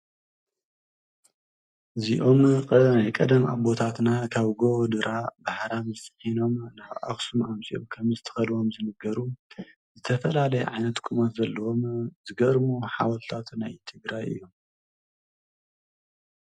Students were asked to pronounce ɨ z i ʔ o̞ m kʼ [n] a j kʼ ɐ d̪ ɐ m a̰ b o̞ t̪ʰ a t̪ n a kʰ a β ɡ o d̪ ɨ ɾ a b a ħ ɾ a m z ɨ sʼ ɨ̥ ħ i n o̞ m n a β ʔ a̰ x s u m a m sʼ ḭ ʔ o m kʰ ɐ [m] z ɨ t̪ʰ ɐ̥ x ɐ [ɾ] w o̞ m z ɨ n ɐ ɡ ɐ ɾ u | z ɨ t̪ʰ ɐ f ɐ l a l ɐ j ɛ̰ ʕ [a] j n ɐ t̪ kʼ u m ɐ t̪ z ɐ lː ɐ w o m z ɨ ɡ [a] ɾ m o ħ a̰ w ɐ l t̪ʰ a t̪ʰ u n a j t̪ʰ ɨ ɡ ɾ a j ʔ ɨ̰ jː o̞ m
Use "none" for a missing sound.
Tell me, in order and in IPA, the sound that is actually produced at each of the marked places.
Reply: n, m, l, a, ɐ

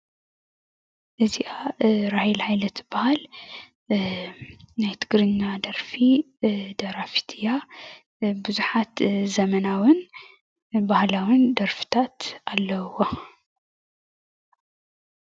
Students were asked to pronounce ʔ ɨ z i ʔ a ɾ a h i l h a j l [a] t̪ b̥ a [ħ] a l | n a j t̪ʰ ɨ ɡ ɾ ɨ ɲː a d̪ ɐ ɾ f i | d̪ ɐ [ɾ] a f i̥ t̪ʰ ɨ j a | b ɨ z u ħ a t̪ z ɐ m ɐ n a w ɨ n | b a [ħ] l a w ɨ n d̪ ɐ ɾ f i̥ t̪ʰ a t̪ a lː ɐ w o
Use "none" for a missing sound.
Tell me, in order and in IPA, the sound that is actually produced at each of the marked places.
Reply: ɐ, h, ɾ, h

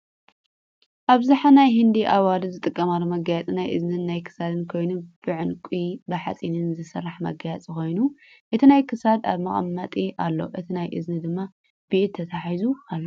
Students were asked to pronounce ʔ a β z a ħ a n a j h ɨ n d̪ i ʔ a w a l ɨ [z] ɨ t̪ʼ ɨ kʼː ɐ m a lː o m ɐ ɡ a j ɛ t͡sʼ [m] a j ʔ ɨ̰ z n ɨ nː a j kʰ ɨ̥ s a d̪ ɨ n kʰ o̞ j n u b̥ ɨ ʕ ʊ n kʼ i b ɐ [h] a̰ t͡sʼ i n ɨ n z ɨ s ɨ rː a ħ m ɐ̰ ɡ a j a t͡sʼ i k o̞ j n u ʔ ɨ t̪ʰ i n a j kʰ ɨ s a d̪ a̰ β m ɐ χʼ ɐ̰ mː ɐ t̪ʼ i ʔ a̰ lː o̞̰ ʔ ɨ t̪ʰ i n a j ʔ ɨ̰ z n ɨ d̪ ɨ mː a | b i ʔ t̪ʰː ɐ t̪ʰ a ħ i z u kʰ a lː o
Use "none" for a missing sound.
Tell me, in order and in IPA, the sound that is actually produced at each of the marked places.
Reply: z, n, ħ

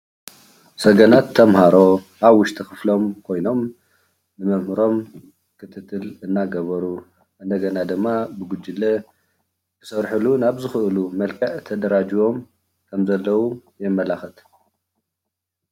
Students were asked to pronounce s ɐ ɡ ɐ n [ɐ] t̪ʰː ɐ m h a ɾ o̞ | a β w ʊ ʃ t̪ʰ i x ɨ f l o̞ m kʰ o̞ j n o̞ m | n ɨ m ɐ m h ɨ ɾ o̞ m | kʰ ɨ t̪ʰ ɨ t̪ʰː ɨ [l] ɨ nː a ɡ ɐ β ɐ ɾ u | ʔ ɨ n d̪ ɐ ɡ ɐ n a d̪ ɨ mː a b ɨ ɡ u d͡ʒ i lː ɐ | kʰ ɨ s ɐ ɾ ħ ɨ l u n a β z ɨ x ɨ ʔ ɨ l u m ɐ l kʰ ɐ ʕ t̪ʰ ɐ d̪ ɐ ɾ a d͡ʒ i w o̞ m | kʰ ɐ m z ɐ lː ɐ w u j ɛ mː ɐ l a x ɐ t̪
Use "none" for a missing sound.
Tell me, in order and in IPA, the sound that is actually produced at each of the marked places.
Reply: a, l

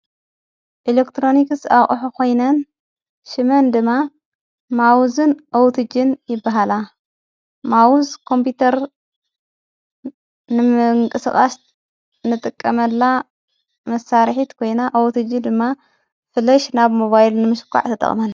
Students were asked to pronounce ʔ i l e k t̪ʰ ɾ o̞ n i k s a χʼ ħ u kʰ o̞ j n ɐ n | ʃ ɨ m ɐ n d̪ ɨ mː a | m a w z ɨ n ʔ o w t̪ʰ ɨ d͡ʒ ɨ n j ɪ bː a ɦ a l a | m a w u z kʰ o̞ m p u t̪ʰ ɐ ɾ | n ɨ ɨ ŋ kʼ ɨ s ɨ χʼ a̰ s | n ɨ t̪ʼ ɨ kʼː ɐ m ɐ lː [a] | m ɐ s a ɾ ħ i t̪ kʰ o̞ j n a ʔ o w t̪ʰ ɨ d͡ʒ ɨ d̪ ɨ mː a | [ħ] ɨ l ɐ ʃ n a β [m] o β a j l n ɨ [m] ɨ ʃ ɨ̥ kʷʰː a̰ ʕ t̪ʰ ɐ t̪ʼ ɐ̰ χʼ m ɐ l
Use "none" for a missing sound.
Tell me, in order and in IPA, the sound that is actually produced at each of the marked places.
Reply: a, f, m, m

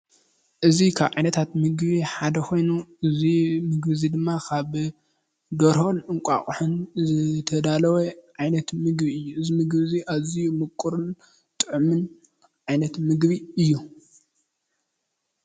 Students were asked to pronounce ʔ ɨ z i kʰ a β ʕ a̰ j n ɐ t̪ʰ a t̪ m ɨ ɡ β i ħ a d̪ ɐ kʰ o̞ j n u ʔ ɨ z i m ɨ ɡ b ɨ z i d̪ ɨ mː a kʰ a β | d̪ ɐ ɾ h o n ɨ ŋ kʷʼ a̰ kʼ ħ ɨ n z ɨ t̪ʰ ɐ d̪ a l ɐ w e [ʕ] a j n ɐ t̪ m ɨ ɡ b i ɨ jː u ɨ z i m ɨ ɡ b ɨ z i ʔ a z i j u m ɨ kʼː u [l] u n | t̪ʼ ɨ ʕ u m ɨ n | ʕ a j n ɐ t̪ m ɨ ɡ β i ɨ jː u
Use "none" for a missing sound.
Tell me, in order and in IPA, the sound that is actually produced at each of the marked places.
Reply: ʕ, ɾ

